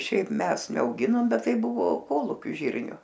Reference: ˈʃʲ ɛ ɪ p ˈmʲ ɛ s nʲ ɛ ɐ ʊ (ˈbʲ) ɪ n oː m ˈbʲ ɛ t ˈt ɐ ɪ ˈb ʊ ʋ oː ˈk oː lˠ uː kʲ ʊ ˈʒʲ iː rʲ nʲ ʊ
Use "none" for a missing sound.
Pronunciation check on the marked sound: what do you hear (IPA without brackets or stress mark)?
ɡʲ